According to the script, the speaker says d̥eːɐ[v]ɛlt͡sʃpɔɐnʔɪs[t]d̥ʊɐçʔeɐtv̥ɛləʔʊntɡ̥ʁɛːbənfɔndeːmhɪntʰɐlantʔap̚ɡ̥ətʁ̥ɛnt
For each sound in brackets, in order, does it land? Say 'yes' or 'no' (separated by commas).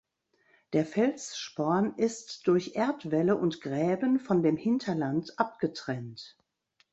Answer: no, yes